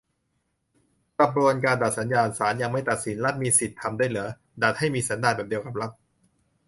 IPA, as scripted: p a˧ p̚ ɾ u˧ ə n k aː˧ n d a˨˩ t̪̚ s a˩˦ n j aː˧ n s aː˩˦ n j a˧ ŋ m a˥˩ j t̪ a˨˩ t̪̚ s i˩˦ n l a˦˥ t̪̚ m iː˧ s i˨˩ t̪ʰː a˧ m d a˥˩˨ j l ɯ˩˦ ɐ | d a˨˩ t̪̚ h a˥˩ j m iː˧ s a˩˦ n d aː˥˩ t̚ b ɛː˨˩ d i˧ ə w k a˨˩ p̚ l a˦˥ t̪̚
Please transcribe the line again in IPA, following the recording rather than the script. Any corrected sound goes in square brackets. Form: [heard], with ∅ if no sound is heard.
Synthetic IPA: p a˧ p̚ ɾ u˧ ə n k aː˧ n d a˨˩ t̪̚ s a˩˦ n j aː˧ n s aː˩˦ n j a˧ ŋ m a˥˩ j t̪ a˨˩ t̪̚ s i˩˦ n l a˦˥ t̪̚ m iː˧ s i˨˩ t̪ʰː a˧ m d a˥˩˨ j l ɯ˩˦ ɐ | d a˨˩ t̪̚ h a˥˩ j m iː˧ s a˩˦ n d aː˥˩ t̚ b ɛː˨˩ d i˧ ə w k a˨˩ p̚ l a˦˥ t̪̚